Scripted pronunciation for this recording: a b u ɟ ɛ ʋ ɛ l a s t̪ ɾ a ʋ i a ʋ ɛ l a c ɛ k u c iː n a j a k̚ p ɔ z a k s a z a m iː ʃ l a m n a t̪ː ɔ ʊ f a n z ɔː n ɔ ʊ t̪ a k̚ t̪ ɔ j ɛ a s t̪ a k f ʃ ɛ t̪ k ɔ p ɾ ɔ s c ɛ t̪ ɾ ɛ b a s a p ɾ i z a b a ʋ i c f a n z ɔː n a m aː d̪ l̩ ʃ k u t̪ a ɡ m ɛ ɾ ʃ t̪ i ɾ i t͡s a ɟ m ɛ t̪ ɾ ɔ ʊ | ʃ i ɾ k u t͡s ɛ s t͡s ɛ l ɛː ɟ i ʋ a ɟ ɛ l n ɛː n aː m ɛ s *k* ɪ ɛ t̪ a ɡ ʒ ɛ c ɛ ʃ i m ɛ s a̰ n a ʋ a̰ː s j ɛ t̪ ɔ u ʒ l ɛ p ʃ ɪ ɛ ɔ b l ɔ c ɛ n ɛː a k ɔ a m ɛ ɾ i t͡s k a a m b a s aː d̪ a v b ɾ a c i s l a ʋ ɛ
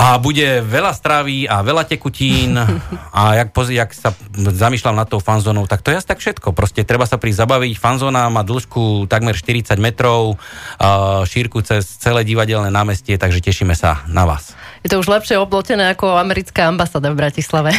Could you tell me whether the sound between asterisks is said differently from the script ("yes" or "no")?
yes